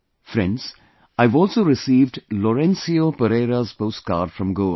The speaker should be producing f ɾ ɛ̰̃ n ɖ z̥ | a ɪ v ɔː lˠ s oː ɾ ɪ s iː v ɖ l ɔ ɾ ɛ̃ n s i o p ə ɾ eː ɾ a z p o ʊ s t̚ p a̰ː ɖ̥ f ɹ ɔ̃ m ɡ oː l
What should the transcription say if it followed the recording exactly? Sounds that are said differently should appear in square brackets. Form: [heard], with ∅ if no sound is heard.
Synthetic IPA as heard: f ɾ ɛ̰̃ n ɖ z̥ | a ɪ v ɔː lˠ s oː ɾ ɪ s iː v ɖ l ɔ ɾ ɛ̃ n s i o p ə ɾ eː ɾ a z p o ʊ s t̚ [k] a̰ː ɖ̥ f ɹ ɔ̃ m ɡ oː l